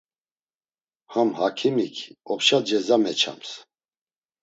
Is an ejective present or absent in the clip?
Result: absent